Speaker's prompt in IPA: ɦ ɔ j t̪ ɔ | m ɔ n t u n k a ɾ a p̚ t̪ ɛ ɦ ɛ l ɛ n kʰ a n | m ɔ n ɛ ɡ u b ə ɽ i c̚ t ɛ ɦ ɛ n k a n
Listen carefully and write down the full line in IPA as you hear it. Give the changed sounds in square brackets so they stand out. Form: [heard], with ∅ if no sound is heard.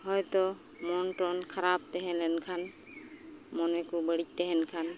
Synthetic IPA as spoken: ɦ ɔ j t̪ ɔ | m ɔ n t [ɔ] n [kʰ] a ɾ a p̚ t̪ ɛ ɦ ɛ l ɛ n kʰ a n | m ɔ n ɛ [k] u b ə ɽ i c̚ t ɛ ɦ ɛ n [kʰ] a n